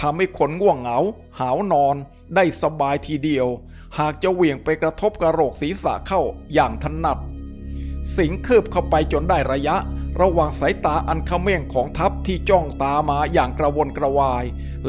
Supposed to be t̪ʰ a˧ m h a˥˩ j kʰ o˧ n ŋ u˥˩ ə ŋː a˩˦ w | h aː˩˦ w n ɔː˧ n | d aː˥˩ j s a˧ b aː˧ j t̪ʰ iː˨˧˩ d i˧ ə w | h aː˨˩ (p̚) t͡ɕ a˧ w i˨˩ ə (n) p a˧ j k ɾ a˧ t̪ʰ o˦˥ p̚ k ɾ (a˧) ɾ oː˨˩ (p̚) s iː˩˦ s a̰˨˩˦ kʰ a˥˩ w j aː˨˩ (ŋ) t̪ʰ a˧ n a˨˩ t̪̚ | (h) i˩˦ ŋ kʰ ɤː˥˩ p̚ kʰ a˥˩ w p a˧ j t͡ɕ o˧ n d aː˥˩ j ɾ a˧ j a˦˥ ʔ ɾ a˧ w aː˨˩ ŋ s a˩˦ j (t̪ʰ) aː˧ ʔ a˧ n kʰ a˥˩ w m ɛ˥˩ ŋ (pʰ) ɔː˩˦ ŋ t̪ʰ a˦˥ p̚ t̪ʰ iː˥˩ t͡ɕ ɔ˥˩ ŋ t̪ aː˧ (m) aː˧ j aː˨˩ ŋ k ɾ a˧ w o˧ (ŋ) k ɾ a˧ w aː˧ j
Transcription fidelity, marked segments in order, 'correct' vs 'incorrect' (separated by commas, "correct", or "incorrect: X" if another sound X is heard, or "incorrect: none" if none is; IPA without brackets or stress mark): incorrect: k̚, incorrect: ŋ, correct, incorrect: k̚, correct, incorrect: s, incorrect: t̪, incorrect: kʰ, correct, incorrect: n